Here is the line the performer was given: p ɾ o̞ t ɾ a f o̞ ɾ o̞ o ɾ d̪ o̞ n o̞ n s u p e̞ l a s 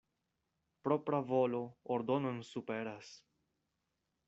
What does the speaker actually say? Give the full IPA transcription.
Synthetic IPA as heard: p ɾ o̞ p ɾ a v o̞ l o̞ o ɾ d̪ o̞ n o̞ n s u p e̞ ɾ a s